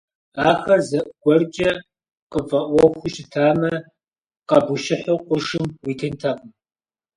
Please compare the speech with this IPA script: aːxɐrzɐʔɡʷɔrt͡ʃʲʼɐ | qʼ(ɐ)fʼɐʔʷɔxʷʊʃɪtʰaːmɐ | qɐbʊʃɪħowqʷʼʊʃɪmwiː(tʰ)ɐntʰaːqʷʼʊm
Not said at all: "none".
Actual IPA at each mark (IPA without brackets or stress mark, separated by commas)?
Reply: ə, tʰ